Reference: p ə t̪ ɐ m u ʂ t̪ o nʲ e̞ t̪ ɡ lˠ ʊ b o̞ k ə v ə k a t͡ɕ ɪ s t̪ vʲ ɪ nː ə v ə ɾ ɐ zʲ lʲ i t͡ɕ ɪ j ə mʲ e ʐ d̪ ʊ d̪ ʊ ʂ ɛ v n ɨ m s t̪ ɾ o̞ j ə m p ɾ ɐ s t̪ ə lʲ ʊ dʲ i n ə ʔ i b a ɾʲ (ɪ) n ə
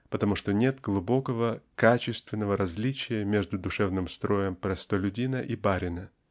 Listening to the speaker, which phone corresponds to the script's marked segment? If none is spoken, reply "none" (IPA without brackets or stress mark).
ɪ